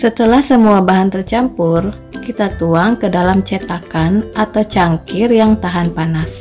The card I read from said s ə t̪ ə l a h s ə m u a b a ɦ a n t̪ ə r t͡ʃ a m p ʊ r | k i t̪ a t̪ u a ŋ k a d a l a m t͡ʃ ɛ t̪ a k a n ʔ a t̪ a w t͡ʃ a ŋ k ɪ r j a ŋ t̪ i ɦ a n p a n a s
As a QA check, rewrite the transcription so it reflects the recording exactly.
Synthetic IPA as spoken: s ə t̪ ə l a h s ə m u a b a ɦ a n t̪ ə r t͡ʃ a m p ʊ r | k i t̪ a t̪ u a ŋ k ə d a l a m t͡ʃ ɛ t̪ a k a n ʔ a t̪ a w t͡ʃ a ŋ k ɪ r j a ŋ t̪ a ɦ a n p a n a s